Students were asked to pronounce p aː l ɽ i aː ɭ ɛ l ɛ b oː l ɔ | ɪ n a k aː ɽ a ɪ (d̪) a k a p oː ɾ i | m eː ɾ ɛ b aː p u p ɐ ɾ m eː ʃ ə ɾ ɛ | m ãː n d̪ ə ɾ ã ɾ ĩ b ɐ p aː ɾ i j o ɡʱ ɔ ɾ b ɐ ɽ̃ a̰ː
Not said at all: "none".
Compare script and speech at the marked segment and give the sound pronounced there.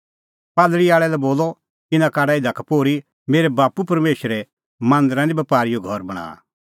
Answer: d̪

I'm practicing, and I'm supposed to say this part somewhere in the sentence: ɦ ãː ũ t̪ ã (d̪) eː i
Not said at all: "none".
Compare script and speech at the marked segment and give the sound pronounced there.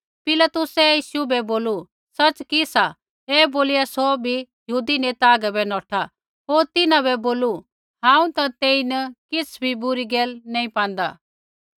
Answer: t̪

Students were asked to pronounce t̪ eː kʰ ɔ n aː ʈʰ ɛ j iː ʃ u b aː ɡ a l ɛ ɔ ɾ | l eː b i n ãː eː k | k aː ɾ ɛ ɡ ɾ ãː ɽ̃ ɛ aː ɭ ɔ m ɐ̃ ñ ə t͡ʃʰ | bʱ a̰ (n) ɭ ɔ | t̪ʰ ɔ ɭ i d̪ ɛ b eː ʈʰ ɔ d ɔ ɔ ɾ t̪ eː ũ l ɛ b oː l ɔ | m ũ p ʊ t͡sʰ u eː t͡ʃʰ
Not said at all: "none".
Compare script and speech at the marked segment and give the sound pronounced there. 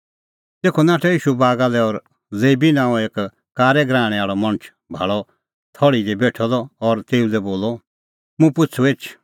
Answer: none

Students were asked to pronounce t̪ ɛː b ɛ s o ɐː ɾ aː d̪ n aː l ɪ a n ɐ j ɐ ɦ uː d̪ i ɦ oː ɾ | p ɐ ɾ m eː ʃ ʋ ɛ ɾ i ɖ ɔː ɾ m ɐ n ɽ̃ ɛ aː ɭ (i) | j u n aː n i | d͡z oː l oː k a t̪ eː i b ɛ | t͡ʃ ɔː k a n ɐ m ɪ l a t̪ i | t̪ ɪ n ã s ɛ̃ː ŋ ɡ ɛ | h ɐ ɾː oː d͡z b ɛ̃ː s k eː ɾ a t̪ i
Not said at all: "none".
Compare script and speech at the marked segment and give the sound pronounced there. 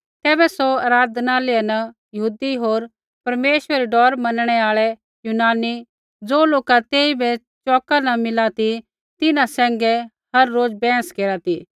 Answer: ɛ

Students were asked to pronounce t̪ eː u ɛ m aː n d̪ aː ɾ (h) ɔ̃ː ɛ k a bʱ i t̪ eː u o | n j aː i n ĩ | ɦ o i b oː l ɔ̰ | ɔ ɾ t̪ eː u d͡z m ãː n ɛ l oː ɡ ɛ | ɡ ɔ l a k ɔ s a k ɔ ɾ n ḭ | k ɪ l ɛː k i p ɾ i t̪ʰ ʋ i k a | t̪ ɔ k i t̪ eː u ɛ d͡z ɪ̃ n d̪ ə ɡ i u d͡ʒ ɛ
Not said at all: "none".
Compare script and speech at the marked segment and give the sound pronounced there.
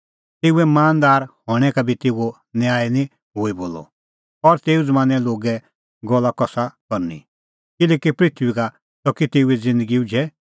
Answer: h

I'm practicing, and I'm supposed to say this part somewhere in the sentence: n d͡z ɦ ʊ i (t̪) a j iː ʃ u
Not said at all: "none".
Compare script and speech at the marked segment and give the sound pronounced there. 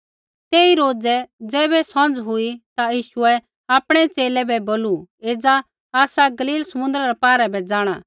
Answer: t̪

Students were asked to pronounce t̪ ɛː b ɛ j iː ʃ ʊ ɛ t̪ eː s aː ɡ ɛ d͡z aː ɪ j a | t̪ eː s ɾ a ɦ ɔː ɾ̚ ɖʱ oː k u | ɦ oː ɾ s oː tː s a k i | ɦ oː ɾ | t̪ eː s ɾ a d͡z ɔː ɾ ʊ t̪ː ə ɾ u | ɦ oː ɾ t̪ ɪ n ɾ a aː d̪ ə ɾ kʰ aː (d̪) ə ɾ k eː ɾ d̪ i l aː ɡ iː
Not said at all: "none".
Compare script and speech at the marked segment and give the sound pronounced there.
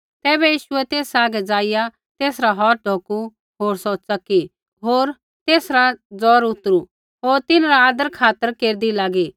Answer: t̪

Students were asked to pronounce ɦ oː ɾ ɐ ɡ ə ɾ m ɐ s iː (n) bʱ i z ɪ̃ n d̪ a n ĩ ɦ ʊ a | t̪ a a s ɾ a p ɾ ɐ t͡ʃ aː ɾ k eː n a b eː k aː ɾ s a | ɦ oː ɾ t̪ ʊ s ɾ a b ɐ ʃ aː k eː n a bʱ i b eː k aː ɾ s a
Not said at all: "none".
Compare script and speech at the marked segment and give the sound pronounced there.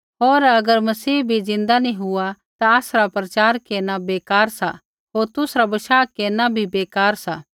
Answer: none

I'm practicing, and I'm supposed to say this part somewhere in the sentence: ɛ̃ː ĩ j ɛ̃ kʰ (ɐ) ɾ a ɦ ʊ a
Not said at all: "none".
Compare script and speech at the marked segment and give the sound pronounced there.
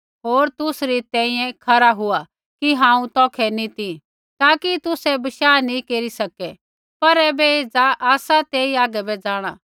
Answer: ɐ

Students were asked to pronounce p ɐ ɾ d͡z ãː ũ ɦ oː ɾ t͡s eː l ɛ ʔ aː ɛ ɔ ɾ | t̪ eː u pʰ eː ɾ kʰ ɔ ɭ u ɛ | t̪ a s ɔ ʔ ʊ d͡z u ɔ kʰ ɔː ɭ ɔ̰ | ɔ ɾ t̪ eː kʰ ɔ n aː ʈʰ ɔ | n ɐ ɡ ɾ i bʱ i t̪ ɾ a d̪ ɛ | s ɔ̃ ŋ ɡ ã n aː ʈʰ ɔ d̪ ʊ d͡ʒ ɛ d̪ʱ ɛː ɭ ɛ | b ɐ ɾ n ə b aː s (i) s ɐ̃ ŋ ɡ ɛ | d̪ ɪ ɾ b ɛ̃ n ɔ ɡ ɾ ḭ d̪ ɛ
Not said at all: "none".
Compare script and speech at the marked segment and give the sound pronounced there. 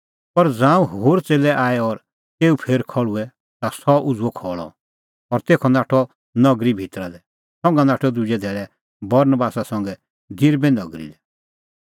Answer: a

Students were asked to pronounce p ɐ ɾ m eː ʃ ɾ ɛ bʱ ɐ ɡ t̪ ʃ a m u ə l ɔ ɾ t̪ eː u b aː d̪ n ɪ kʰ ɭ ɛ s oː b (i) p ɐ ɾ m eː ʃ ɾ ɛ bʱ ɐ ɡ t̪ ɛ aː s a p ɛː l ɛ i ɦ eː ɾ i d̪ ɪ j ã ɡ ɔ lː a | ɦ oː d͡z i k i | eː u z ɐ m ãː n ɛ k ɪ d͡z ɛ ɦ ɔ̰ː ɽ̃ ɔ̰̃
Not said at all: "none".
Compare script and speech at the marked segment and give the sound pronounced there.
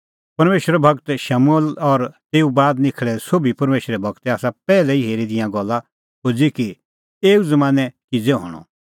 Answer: i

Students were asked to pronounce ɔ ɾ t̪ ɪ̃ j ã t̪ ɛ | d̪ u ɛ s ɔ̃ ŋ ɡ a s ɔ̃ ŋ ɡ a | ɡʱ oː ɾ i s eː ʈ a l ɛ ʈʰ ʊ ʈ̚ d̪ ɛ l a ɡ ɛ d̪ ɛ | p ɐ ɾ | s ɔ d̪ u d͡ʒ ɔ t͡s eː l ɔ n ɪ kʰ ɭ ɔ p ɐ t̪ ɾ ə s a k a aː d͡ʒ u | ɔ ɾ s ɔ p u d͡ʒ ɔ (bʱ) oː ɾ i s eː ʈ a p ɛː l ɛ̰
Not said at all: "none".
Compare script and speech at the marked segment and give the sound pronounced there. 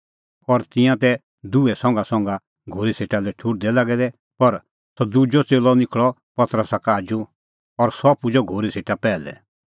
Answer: ɡʱ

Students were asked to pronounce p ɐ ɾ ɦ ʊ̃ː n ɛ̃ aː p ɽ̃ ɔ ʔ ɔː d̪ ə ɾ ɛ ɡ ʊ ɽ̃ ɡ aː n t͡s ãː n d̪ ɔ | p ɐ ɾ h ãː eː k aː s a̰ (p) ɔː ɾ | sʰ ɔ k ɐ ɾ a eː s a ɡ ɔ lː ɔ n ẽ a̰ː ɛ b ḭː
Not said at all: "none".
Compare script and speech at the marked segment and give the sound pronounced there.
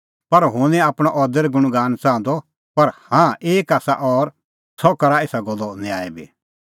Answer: ʔ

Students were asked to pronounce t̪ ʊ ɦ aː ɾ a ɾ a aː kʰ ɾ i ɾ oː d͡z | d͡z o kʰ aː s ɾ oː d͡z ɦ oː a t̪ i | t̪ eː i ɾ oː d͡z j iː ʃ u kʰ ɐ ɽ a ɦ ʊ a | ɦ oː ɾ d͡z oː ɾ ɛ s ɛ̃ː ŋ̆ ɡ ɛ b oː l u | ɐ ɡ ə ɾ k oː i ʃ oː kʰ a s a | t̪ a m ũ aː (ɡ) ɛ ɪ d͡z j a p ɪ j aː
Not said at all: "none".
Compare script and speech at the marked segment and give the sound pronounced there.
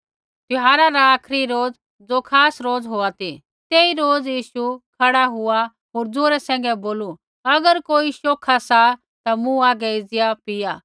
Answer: ɡ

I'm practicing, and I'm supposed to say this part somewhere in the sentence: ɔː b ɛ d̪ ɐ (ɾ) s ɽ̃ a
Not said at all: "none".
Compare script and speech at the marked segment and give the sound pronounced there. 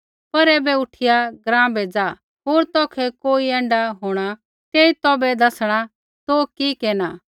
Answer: none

